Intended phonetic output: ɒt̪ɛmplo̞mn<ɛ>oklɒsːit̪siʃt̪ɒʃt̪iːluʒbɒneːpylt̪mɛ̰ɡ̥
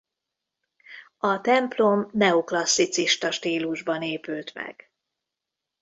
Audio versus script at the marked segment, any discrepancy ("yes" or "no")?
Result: no